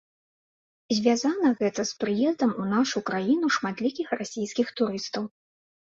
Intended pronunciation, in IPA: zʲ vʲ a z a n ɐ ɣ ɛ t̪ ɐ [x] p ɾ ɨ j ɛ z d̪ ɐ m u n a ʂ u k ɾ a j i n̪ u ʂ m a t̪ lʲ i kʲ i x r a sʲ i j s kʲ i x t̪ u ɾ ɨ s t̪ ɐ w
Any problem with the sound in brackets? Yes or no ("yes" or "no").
yes